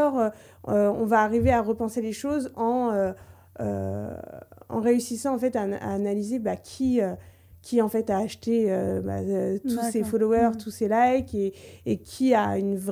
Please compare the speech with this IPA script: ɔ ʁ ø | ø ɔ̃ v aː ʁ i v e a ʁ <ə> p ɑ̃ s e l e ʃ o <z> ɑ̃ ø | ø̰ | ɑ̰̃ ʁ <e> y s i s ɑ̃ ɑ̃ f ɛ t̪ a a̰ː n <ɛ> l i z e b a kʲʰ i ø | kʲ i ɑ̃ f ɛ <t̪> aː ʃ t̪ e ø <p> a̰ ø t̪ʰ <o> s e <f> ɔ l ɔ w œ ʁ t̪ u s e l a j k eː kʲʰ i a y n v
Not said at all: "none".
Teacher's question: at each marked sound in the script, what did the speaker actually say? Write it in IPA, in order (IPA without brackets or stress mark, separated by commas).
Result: ə, z, e, a, t̪, b, u, f